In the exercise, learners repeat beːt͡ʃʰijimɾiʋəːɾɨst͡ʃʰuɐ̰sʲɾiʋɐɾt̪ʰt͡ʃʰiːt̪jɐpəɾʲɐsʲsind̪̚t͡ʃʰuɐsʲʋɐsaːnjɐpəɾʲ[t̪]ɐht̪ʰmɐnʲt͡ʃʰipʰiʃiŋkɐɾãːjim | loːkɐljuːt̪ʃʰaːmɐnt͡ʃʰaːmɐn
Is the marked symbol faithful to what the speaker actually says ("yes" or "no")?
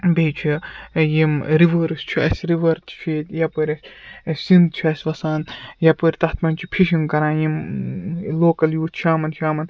yes